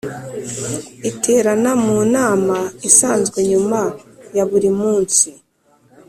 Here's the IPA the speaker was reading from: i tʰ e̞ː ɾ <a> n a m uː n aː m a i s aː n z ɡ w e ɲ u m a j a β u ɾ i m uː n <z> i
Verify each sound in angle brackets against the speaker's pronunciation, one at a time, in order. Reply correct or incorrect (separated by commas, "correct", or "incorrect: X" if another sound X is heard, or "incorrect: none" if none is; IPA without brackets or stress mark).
correct, incorrect: s